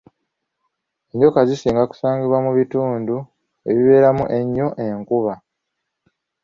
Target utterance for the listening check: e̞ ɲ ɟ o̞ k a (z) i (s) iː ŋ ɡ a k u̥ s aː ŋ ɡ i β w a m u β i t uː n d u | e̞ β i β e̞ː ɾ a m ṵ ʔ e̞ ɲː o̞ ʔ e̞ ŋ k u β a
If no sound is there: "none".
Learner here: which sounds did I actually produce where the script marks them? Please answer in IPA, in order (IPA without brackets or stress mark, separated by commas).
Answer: z, s